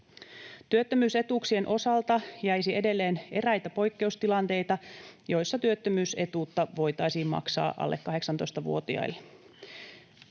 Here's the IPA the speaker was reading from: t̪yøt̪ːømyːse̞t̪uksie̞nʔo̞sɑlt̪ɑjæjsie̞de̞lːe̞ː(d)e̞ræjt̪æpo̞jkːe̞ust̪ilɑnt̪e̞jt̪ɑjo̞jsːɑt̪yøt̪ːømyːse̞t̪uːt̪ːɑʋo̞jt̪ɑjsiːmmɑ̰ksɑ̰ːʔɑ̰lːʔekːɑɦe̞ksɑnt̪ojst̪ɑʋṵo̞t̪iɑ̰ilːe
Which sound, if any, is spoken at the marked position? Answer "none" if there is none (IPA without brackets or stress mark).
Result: n